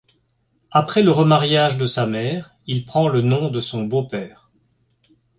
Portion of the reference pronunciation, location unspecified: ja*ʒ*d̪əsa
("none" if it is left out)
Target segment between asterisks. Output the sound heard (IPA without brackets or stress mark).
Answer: ʒ